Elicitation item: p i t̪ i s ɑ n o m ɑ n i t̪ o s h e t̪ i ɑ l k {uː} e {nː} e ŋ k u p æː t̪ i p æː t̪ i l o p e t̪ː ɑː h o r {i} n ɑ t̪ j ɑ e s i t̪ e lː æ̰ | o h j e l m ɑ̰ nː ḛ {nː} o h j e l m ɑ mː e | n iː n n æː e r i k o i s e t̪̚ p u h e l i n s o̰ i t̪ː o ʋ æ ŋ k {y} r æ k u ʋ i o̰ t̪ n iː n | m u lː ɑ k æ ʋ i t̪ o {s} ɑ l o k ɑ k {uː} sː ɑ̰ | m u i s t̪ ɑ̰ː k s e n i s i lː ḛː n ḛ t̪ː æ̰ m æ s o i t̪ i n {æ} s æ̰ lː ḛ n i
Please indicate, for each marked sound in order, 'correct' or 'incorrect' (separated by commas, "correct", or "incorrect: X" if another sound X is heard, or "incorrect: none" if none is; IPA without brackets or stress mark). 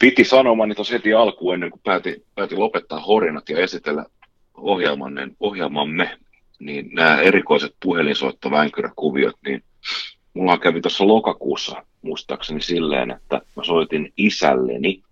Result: correct, correct, correct, incorrect: n, correct, incorrect: sː, correct, incorrect: i